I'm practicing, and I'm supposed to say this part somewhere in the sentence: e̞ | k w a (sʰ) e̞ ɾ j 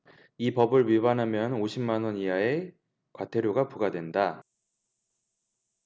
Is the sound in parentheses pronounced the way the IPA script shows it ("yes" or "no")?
no